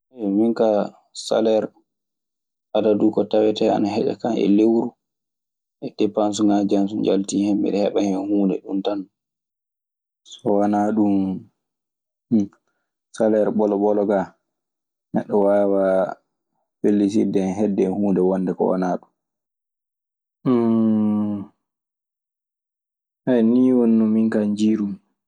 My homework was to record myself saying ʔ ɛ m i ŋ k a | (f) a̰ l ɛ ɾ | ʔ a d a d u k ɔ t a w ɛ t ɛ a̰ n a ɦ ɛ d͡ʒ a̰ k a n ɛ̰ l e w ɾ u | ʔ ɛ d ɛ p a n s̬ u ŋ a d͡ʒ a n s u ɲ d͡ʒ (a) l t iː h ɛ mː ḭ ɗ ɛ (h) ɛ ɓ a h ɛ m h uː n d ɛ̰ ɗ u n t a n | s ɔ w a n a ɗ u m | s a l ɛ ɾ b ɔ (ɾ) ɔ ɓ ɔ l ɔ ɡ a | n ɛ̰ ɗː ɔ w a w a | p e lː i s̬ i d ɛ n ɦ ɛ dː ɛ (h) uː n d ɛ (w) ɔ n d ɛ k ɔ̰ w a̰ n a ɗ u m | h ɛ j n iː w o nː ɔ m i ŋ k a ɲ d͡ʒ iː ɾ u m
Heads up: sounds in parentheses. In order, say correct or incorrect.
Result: incorrect: s, correct, correct, incorrect: l, correct, correct

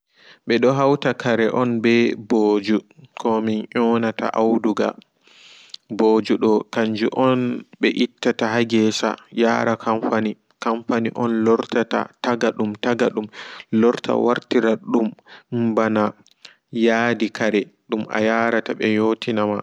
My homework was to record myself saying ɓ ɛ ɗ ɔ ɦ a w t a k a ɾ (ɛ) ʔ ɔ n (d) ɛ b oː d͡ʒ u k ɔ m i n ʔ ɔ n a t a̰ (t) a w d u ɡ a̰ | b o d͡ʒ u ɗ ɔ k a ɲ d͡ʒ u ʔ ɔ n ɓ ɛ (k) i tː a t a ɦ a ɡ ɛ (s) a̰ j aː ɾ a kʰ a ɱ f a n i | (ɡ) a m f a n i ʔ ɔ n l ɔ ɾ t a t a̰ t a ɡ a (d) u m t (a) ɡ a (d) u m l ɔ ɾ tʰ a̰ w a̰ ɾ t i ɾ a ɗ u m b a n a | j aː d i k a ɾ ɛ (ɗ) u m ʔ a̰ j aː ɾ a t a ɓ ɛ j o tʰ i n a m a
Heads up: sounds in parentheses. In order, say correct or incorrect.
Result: correct, incorrect: b, incorrect: ʔ, incorrect: ʔ, correct, incorrect: k, incorrect: ɗ, correct, incorrect: ɗ, correct

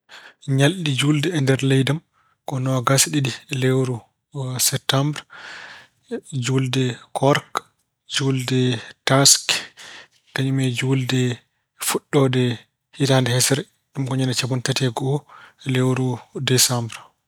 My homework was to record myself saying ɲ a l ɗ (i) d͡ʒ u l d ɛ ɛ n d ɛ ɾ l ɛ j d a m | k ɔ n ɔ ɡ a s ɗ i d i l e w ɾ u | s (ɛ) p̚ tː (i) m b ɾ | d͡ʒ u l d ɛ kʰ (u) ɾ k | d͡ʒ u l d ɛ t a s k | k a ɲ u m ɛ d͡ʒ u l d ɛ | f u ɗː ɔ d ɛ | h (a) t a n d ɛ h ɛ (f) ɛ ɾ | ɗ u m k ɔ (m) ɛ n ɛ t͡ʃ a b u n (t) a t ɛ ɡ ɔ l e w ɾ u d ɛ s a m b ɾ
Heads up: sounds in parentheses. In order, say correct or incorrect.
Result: correct, correct, incorrect: a, incorrect: ɔ, incorrect: i, incorrect: s, incorrect: ɲ, correct

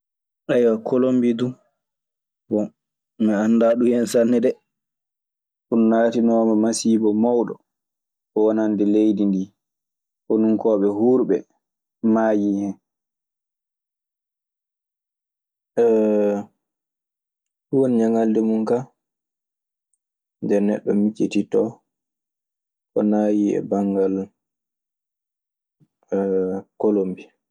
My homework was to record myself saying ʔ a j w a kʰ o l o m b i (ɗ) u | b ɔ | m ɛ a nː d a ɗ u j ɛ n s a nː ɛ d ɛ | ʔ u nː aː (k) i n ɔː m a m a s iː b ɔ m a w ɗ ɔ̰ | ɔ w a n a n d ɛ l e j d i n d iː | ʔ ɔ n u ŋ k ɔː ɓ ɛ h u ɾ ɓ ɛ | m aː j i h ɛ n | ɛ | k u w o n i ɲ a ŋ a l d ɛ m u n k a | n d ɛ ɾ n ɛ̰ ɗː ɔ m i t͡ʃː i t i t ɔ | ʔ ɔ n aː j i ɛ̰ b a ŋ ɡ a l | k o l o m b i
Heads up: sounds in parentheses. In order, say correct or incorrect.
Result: incorrect: d, incorrect: t

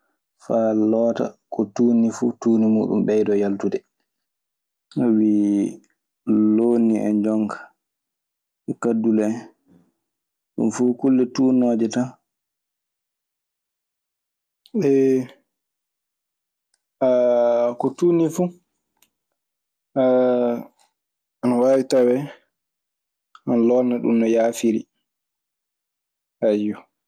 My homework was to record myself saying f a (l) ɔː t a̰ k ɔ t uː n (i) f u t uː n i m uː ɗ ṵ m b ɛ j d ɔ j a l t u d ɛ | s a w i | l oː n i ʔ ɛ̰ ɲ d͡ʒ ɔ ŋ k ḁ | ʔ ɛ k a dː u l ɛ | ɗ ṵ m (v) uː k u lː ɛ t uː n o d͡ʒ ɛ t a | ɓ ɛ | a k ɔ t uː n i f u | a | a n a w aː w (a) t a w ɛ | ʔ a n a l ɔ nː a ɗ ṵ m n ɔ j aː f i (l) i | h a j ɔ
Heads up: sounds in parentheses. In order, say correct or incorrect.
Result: correct, correct, incorrect: f, incorrect: i, incorrect: ɾ

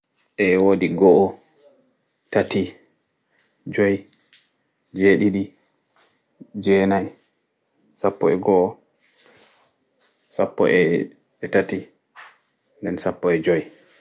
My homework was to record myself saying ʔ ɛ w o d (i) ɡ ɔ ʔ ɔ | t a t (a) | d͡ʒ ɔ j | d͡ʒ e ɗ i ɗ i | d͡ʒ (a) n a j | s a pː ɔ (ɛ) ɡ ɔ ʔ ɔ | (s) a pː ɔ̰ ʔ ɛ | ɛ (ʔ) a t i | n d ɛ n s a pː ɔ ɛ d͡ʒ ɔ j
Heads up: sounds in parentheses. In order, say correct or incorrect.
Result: correct, incorrect: i, incorrect: ɛ, correct, correct, incorrect: t

